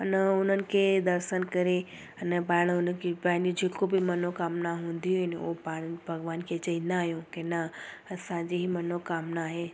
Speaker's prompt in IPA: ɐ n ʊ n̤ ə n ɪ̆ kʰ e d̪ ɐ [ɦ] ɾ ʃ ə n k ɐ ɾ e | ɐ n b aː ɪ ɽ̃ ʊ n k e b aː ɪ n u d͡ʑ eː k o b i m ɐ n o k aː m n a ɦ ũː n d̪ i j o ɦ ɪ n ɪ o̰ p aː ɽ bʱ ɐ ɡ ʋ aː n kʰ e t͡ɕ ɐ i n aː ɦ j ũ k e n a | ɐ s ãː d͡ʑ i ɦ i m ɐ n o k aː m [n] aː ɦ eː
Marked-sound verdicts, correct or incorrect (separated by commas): incorrect, correct